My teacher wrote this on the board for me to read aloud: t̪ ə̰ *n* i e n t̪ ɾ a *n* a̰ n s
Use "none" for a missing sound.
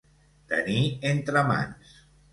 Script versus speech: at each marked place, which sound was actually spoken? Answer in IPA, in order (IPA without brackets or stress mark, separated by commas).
n, m